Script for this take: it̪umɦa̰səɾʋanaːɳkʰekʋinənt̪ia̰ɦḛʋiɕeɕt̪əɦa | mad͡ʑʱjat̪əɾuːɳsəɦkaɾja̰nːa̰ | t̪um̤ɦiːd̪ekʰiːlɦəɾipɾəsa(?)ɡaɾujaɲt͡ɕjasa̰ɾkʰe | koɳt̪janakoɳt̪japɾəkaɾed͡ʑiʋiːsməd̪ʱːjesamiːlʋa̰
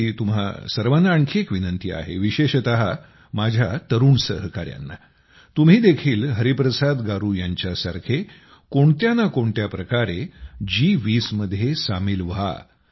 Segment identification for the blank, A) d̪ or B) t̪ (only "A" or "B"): A